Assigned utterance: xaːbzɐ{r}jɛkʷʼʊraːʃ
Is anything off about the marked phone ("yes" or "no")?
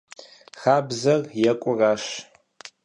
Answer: no